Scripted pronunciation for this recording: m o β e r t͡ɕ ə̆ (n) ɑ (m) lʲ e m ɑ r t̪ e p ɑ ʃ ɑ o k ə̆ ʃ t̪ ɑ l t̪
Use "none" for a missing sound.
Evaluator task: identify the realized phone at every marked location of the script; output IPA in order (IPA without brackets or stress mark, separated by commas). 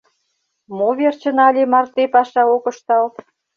n, none